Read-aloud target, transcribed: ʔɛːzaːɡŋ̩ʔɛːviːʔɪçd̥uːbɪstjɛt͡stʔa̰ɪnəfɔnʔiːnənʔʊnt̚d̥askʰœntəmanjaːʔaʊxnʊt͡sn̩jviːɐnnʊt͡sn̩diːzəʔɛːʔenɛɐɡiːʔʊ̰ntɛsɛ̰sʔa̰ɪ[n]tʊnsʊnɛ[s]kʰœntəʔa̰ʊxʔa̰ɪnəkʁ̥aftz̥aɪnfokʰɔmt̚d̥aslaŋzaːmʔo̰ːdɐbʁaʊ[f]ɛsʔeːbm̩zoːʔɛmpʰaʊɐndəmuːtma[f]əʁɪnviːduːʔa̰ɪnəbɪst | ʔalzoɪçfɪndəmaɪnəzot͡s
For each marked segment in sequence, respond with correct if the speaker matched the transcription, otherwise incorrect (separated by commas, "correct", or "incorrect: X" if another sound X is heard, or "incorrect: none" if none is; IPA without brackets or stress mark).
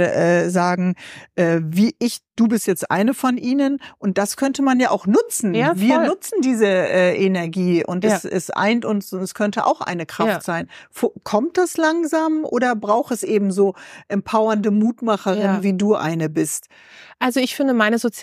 correct, correct, incorrect: x, incorrect: χ